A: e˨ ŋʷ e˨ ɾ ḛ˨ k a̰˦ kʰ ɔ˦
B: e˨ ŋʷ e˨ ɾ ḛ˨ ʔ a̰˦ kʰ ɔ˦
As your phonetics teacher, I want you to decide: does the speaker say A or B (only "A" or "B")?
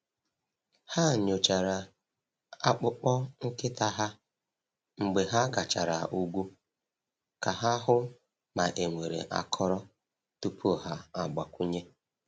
B